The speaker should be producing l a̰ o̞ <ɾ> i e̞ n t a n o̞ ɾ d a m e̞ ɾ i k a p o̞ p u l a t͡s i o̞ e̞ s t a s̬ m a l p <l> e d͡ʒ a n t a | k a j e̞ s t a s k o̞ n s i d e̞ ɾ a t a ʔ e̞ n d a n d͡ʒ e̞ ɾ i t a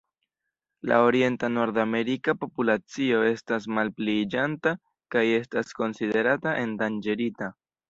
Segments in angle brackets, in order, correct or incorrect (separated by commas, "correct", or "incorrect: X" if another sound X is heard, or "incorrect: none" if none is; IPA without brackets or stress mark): correct, correct